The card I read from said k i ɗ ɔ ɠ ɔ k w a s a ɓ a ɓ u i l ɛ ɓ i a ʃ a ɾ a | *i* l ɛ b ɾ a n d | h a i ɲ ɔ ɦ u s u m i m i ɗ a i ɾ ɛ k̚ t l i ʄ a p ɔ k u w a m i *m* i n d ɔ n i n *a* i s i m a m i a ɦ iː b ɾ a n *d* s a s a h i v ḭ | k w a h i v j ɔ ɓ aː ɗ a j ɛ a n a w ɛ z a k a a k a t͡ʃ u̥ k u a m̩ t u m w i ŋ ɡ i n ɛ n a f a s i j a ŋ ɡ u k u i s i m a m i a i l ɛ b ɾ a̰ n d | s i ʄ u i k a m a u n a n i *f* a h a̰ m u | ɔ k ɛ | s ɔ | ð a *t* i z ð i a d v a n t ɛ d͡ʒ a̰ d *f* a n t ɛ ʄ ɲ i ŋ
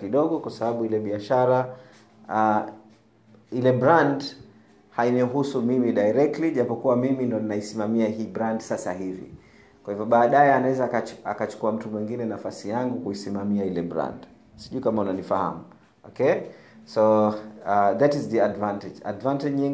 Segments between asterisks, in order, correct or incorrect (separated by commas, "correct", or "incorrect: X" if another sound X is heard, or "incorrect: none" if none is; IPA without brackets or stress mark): correct, correct, correct, correct, correct, correct, incorrect: v